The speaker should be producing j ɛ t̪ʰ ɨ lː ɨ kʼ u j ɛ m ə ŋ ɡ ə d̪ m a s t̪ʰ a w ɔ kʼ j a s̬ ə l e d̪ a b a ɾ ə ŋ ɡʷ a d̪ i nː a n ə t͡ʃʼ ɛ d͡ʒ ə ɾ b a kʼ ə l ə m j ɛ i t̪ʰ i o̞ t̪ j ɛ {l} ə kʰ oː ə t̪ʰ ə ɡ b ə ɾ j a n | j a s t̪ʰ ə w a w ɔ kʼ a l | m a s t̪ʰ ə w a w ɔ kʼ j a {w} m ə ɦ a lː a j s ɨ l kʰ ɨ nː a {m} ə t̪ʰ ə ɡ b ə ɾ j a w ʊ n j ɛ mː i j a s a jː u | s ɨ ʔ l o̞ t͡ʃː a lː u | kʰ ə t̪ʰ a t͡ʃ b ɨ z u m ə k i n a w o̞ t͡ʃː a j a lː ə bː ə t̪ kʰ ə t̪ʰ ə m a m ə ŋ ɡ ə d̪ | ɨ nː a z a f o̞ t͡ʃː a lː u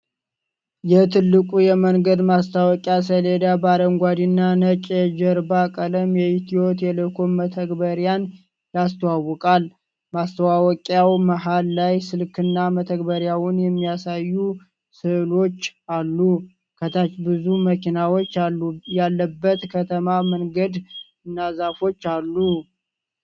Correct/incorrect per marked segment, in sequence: correct, correct, correct

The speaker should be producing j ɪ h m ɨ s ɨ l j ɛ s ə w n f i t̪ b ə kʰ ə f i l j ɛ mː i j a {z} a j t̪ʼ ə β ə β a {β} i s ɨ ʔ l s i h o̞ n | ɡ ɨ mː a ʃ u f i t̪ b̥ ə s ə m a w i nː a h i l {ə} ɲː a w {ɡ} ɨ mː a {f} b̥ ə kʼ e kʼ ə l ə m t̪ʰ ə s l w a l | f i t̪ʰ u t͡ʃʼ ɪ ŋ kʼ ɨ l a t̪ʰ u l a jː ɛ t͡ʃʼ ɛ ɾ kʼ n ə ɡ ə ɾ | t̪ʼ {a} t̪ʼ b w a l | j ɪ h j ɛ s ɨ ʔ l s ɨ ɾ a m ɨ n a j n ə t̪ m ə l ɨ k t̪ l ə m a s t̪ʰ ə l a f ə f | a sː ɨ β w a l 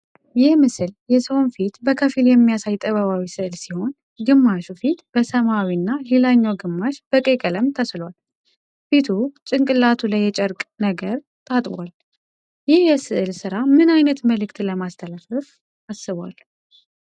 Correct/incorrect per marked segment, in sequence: incorrect, incorrect, incorrect, correct, incorrect, correct

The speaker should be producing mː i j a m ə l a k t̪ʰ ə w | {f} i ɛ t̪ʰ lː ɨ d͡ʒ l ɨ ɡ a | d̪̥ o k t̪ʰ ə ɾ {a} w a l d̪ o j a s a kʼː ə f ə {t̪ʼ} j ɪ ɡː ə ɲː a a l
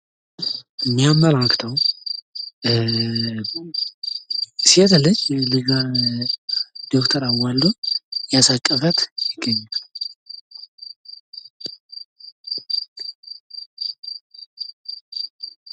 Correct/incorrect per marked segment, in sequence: incorrect, correct, incorrect

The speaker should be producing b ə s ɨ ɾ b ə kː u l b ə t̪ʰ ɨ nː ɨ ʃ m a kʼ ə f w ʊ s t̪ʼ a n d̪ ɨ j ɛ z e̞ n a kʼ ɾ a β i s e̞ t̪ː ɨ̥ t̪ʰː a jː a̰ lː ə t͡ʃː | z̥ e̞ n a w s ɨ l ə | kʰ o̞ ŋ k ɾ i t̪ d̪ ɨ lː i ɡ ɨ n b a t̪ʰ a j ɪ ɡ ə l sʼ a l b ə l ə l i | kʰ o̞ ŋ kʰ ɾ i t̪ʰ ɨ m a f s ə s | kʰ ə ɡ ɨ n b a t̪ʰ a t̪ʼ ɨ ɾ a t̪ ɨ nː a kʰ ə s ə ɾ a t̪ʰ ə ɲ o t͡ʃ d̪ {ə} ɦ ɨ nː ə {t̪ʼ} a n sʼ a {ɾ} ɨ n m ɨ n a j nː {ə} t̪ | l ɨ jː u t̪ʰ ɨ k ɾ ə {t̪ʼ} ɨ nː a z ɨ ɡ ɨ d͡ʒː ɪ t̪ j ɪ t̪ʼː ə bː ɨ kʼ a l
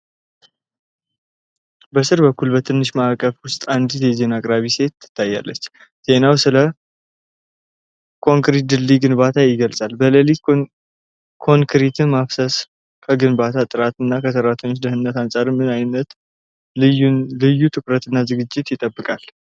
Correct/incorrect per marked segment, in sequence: correct, incorrect, correct, correct, incorrect

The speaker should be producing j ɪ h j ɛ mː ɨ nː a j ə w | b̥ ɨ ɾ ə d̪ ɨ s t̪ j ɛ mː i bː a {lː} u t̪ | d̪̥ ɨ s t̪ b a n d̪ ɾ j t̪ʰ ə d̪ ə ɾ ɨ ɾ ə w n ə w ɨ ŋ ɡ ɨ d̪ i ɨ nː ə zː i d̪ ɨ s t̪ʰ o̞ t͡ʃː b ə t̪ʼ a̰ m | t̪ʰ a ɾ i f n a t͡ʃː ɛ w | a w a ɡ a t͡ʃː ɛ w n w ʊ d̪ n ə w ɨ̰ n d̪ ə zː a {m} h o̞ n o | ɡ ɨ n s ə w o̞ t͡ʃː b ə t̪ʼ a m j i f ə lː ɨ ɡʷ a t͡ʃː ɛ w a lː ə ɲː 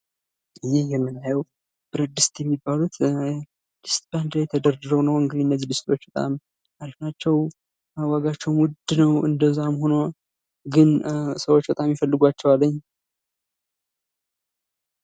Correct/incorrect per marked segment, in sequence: incorrect, correct

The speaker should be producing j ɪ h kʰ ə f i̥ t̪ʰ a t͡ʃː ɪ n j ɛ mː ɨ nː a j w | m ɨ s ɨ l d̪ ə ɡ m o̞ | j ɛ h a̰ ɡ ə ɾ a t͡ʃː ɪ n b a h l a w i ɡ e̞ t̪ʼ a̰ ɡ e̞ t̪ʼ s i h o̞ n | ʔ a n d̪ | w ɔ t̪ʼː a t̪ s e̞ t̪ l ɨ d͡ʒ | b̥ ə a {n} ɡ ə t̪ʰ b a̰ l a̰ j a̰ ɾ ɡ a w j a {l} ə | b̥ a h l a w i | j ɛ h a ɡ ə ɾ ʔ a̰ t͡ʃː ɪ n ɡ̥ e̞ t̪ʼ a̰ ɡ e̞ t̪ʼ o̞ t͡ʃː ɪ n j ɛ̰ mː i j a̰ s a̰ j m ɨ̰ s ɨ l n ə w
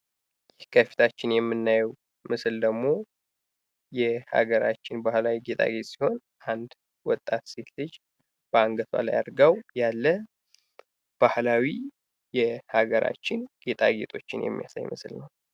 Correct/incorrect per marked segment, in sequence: incorrect, incorrect

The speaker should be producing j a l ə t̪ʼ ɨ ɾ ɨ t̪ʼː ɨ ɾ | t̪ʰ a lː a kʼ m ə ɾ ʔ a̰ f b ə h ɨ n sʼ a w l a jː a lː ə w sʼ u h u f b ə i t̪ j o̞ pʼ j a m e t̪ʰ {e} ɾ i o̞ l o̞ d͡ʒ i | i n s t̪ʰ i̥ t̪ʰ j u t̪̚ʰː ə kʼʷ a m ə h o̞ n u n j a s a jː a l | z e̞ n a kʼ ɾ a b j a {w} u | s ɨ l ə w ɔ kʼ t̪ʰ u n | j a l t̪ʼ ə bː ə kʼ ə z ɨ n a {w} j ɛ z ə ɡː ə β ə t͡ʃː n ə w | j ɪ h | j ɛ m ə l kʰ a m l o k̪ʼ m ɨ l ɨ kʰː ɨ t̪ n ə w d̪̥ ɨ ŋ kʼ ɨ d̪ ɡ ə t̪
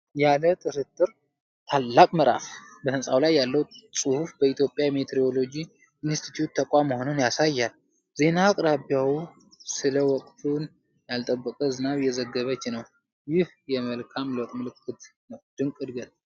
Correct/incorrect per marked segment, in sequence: correct, correct, incorrect

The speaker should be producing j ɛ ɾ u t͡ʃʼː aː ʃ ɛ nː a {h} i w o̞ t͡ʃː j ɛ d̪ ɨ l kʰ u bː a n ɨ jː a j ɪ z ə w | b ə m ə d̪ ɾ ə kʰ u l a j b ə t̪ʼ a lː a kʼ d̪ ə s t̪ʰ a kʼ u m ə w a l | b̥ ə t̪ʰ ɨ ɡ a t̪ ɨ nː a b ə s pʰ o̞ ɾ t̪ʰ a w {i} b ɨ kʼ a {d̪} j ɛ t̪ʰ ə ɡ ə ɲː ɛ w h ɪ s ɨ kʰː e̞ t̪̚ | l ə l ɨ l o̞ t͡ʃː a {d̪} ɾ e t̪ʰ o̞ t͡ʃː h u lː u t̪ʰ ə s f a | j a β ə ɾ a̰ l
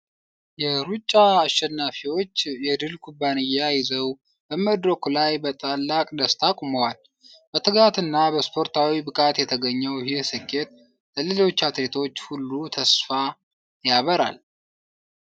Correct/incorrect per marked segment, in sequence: incorrect, correct, incorrect, incorrect

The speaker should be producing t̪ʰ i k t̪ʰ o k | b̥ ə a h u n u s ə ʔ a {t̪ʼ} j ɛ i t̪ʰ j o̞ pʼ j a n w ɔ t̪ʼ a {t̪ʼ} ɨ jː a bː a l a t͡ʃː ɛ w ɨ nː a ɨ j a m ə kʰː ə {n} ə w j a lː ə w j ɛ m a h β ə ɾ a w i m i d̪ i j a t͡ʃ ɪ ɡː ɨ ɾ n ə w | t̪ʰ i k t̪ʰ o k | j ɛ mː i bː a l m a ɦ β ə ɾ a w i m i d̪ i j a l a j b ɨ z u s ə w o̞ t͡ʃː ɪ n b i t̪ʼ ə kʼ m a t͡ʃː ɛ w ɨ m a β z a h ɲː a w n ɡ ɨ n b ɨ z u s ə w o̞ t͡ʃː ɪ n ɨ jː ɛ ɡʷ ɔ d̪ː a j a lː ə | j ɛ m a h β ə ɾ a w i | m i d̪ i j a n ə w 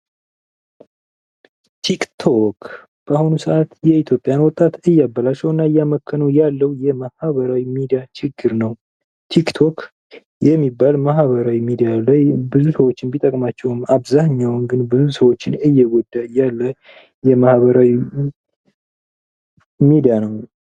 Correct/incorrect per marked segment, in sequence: incorrect, incorrect, correct

